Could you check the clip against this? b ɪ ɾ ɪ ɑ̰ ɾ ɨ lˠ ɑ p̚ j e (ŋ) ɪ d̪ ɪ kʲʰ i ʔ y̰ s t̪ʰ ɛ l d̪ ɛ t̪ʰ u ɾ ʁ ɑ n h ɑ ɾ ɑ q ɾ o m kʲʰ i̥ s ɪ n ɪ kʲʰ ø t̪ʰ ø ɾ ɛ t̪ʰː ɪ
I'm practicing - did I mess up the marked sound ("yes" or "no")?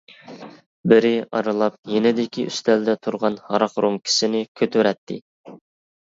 yes